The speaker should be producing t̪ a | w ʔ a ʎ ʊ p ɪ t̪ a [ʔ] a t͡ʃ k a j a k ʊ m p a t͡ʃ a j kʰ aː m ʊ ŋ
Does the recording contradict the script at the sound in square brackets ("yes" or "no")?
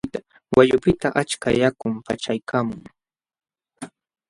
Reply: no